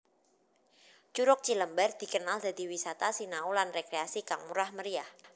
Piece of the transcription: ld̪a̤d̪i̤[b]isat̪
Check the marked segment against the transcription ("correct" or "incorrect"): incorrect